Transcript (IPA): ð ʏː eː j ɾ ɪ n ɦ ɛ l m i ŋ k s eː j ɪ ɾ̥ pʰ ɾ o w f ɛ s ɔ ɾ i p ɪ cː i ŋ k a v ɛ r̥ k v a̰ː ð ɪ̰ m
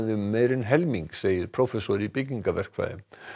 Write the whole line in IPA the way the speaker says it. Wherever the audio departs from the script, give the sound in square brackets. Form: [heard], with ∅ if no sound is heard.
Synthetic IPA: ð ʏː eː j ɾ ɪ n ɦ ɛ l m i ŋ k s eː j ɪ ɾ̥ pʰ ɾ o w f ɛ s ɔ ɾ i p ɪ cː i ŋ k a v ɛ r̥ k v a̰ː ð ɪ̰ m

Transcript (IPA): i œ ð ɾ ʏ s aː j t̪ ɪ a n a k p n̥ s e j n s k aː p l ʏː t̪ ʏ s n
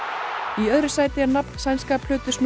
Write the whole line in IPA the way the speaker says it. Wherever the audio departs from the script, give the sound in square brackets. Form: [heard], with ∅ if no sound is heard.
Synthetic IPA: i œ ð ɾ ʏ s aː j t̪ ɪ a n a [∅] p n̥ s [a] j n s k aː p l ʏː t̪ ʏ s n

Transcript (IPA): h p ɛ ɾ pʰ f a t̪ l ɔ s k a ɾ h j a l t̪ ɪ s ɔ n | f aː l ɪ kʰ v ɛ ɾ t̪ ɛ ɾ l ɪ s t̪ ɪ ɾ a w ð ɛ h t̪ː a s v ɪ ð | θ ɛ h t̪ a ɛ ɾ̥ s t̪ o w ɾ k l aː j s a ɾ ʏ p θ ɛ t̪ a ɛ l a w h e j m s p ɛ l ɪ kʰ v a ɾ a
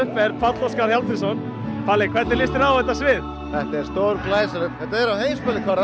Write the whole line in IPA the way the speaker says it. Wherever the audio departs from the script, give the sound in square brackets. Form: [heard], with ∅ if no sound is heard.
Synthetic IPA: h p ɛ ɾ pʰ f a t̪ l ɔ s k a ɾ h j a l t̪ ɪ s ɔ n | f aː l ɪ kʰ v ɛ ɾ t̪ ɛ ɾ l ɪ s t̪ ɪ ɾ a w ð ɛ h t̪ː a s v ɪ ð | θ ɛ h t̪ a ɛ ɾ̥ s t̪ o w ɾ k l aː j s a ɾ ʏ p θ ɛ t̪ a ɛ [ɾ] a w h e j m s p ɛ l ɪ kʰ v a ɾ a

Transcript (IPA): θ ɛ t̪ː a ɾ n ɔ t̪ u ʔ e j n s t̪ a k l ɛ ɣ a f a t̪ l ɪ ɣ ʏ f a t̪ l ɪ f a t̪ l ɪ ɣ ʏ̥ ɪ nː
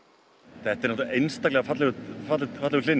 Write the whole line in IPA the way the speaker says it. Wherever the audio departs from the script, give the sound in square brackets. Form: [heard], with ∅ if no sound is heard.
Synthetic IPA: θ ɛ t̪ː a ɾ n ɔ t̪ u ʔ e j n s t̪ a k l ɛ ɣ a f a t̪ l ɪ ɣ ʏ f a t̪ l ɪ f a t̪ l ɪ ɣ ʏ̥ ɪ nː

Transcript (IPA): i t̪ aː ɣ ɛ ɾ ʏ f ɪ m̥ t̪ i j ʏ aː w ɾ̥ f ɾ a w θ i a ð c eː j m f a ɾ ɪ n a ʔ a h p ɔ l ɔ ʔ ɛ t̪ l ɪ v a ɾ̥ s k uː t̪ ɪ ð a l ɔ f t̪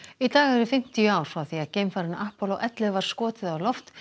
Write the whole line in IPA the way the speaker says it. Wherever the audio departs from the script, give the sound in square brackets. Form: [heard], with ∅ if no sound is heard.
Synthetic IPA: i t̪ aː ɣ ɛ ɾ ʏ f ɪ m̥ t̪ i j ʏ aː w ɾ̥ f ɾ a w θ i a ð c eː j m f a ɾ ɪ n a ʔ a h p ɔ l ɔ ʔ ɛ t̪ l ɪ v a ɾ̥ s k [ɔː] t̪ ɪ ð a l ɔ f t̪

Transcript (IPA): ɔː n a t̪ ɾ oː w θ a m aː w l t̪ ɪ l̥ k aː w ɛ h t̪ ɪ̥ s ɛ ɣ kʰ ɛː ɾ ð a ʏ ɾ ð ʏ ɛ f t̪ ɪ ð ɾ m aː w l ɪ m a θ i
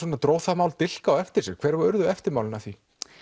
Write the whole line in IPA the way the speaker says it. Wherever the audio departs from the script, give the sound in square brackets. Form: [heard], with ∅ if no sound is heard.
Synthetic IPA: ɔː n a t̪ ɾ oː w θ a m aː w l t̪ ɪ l̥ k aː w ɛ [f] t̪ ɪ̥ s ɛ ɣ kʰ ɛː ɾ [v] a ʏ ɾ ð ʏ ɛ f t̪ ɪ [∅] ɾ m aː w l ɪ [n] a θ i

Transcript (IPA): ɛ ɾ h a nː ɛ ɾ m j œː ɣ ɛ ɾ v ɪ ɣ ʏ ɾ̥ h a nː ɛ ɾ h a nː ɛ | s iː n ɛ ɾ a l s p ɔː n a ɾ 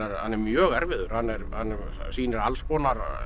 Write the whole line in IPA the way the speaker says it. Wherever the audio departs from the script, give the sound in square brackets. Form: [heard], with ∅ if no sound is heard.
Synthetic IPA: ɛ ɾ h a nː ɛ ɾ m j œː ɣ ɛ ɾ v ɪ [ð] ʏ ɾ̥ h a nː ɛ ɾ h a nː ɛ | s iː n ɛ ɾ a l s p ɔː n a ɾ

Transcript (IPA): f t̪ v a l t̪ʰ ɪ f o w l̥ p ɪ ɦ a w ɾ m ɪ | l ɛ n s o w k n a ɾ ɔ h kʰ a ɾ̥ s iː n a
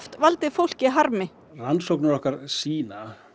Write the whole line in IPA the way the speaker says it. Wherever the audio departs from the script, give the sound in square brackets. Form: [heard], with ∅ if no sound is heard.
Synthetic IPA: f t̪ v a l [t̪] ɪ f o w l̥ [c] ɪ ɦ a [∅] ɾ m ɪ | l [a] n s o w k n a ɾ ɔ h [k] a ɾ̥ s iː n a

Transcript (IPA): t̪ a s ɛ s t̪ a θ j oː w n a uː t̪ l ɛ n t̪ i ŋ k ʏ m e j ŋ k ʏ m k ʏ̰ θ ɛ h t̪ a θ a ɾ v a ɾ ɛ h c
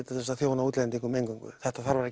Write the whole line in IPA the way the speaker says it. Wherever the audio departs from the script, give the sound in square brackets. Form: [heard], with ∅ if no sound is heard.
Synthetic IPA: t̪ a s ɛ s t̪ a θ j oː w n a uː t̪ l ɛ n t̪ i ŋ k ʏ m e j ŋ k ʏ [ŋ] k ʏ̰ θ ɛ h t̪ a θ a ɾ v a ɾ ɛ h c

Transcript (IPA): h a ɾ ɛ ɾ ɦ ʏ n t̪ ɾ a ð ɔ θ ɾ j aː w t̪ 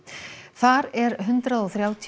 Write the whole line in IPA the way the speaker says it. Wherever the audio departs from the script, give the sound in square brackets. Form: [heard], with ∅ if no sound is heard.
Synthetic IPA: [θ] a ɾ ɛ ɾ ɦ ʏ n t̪ ɾ a ð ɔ θ ɾ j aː w [t̪ʰ]

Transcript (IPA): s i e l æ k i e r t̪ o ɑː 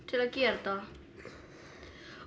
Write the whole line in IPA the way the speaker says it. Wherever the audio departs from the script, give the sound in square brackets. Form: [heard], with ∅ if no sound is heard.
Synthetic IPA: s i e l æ k i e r t̪ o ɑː

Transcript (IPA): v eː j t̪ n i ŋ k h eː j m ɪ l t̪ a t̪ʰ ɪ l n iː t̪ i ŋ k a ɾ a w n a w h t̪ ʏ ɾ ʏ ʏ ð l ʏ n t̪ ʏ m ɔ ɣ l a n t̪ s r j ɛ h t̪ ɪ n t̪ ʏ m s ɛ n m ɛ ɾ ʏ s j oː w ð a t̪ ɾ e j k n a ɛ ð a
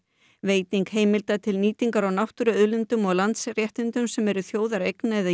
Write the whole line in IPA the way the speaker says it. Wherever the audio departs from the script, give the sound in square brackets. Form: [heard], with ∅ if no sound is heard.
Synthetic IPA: v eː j t̪ n i ŋ k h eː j m ɪ l t̪ a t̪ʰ ɪ l n iː t̪ i ŋ k a ɾ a w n a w h t̪ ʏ ɾ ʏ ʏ ð l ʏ n t̪ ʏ m ɔ ɣ l a n t̪ s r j ɛ h t̪ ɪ n t̪ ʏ m s ɛ [∅] m ɛ ɾ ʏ [θ] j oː w ð a [∅] ɾ e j k n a ɛ ð a

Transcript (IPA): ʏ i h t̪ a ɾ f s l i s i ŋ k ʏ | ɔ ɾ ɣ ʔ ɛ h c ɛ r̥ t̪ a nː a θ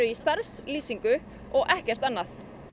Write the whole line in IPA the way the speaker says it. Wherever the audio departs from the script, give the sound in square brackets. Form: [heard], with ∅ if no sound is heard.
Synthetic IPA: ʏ i [s] t̪ a ɾ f s l [iː] s i ŋ k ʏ | ɔ [∅] ɣ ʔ ɛ h c ɛ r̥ t̪ a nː a θ

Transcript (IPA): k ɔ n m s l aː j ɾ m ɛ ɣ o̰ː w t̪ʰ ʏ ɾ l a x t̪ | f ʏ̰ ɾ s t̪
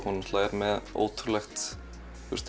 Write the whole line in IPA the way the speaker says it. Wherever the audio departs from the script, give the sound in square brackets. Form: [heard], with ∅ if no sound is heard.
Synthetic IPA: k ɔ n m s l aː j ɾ m ɛ [ð] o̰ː w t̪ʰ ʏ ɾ l [ɛ] x t̪ | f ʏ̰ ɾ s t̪

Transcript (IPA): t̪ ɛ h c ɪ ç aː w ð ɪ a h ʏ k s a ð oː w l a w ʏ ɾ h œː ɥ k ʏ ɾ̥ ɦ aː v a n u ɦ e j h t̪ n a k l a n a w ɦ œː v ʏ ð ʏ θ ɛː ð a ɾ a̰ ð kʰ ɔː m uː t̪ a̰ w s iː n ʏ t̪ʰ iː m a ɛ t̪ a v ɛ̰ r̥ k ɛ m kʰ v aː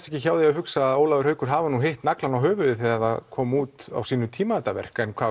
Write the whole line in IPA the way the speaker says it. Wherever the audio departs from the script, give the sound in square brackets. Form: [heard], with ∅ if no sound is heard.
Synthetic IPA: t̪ ɛ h c ɪ ç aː w ð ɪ a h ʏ k s a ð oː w l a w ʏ ɾ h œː ɥ k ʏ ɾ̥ ɦ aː v a n u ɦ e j h t̪ n a k l a n a w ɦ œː v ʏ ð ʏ θ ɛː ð a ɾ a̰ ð kʰ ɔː m uː t̪ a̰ w s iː n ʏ t̪ʰ iː m a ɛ t̪ a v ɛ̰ r̥ k ɛ [n] kʰ v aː

